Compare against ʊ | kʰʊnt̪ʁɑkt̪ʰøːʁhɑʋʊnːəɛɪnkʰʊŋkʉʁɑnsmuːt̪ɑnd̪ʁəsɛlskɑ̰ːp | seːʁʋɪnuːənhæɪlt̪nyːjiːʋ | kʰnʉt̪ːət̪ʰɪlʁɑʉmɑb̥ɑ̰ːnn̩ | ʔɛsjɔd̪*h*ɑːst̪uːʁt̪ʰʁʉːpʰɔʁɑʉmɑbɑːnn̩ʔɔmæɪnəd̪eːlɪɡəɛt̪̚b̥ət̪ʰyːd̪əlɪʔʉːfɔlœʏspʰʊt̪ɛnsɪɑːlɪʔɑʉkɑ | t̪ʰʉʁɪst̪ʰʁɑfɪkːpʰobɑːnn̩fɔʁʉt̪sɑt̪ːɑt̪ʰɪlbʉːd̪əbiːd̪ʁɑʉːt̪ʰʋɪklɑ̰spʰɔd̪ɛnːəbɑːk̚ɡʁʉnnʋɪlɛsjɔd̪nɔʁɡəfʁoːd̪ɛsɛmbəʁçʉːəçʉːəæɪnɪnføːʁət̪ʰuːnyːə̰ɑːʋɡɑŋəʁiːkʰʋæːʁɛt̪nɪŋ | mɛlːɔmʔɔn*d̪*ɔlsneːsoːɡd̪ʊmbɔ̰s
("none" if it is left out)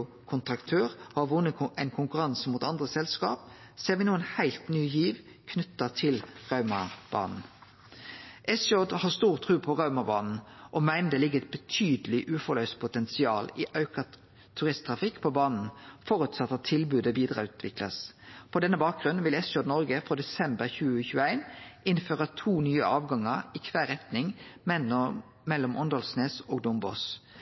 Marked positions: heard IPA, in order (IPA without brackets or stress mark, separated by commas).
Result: h, d̪